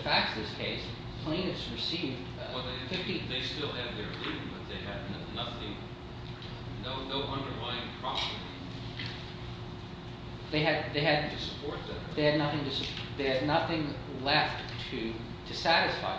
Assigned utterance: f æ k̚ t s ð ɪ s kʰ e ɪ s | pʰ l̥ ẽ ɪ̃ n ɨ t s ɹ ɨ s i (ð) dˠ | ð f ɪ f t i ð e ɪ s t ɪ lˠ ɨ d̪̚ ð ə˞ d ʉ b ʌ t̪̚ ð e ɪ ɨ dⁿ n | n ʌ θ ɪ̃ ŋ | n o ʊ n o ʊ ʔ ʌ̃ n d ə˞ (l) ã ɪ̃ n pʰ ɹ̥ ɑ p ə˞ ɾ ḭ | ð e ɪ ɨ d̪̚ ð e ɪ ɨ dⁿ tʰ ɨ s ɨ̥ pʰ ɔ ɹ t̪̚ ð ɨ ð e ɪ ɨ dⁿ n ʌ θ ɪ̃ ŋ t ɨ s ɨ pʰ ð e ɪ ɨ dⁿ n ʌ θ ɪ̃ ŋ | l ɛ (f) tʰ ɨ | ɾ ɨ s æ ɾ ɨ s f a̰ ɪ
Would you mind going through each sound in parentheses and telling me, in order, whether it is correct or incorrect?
incorrect: v, correct, correct

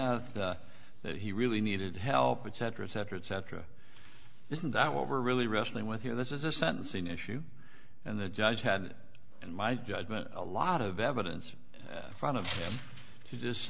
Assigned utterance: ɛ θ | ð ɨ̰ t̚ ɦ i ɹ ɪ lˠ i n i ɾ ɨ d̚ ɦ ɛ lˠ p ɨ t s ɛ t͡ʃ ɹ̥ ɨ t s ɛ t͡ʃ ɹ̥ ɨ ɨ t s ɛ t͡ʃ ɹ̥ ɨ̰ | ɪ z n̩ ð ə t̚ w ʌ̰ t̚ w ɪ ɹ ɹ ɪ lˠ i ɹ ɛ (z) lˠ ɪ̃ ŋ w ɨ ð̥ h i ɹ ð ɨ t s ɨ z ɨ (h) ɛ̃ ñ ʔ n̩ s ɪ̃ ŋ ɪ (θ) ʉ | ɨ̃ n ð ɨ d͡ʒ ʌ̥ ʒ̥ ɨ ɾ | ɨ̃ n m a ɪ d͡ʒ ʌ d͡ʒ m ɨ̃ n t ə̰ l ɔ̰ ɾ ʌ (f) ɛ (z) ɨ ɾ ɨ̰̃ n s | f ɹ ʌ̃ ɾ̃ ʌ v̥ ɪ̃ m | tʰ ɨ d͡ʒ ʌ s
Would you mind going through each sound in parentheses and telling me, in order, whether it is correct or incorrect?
incorrect: s, incorrect: s, incorrect: ʃ, incorrect: v, incorrect: v

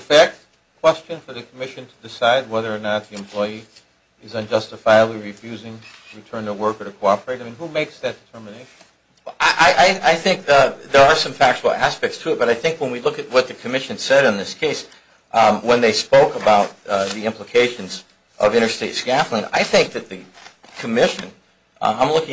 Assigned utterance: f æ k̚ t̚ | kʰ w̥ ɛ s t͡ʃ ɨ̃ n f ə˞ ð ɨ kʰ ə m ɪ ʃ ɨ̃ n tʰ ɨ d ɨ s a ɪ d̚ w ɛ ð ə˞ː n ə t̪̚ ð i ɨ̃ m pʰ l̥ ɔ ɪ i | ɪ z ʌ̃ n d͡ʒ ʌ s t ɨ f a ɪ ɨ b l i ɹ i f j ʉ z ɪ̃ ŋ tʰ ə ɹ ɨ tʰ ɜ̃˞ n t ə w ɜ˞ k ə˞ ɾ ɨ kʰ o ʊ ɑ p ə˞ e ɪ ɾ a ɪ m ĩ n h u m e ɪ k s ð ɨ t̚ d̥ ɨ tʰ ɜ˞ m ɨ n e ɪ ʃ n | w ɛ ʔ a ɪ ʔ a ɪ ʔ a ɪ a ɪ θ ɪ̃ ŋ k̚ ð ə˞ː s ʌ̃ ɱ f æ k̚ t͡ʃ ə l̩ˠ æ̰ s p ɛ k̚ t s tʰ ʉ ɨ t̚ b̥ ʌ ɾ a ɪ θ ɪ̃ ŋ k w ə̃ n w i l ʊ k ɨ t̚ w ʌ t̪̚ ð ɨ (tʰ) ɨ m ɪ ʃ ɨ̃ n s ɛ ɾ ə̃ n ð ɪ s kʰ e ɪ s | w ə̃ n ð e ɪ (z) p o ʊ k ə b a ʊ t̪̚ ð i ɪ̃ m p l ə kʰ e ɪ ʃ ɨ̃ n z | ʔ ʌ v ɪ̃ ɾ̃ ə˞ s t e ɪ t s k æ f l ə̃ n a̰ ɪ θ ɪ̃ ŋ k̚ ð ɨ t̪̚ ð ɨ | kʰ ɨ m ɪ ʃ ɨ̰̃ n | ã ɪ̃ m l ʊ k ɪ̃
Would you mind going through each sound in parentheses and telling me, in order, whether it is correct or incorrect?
incorrect: kʰ, incorrect: s

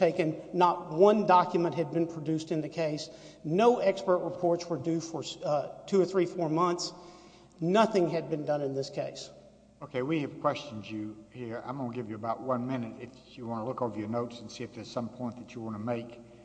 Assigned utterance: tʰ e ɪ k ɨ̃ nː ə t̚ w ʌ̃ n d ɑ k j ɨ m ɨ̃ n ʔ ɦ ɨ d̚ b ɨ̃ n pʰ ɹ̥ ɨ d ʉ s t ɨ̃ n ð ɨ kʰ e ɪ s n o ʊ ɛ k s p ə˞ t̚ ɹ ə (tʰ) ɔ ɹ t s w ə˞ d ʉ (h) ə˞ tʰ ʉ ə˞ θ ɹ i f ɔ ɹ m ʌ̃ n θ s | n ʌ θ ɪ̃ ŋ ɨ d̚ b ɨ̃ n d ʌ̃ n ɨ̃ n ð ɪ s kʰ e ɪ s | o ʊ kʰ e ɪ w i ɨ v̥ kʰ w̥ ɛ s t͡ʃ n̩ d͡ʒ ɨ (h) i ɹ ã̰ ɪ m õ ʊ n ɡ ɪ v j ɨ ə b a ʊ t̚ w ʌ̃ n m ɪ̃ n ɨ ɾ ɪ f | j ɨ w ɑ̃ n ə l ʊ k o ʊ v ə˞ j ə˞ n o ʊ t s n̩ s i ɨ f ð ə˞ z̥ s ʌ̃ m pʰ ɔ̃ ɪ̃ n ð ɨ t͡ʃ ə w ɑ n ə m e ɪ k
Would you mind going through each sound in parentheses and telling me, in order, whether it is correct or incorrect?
incorrect: pʰ, incorrect: f, correct

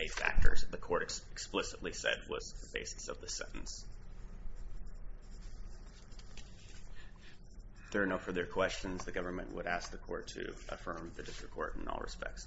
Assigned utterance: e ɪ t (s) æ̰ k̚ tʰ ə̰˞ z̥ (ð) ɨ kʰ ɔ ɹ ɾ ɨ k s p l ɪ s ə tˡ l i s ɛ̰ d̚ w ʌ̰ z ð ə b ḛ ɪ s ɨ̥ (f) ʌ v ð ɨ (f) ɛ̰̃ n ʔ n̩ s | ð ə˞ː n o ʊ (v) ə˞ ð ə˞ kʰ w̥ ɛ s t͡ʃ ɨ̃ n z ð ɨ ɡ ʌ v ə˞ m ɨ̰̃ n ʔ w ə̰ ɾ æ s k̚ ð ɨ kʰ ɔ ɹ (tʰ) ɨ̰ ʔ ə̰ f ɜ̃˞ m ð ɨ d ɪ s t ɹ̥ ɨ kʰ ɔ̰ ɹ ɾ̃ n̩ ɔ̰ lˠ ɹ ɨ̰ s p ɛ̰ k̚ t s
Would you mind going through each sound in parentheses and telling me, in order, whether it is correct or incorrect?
incorrect: f, correct, incorrect: s, incorrect: s, incorrect: f, correct

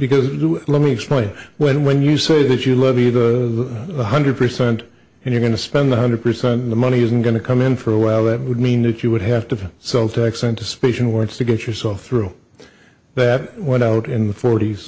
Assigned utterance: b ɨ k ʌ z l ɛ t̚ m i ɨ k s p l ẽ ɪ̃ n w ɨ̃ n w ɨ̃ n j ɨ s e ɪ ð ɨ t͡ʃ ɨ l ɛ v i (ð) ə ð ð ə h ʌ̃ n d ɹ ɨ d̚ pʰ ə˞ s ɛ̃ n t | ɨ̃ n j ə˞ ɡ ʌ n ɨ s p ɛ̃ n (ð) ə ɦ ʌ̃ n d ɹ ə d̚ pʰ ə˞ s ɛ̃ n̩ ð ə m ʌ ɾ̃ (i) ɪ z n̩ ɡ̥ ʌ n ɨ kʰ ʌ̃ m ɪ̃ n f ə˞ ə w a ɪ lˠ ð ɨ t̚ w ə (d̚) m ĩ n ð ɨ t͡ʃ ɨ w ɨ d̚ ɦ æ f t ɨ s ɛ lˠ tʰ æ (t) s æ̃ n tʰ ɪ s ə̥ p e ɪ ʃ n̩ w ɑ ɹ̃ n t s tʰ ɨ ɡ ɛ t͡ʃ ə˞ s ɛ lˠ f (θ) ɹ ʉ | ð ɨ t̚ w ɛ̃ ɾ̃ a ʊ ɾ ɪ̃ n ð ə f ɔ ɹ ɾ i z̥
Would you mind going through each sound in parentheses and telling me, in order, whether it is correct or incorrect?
correct, correct, correct, correct, incorrect: k, correct

